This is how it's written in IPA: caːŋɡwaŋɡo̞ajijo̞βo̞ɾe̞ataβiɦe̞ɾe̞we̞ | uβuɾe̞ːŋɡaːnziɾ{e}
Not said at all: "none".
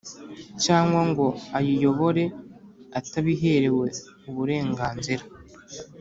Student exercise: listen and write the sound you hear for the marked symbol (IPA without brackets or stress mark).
a